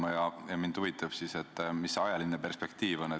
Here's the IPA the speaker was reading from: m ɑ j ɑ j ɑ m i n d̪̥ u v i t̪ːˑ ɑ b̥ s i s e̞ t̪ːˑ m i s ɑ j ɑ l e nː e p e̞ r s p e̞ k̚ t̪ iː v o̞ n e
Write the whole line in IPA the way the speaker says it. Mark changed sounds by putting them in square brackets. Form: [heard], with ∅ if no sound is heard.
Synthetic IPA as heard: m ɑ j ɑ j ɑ m i n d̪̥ u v i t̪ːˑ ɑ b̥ s i s e̞ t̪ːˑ m i s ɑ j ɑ l [i] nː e p e̞ r s p e̞ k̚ t̪ iː v o̞ n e